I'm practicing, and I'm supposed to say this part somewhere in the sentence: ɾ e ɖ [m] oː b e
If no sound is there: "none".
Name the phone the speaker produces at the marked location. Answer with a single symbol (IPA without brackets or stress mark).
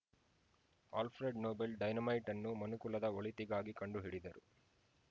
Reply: n